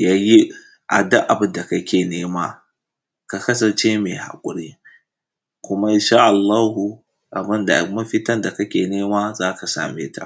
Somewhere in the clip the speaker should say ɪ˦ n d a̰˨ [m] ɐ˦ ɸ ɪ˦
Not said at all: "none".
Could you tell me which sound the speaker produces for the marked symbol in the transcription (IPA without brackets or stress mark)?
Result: m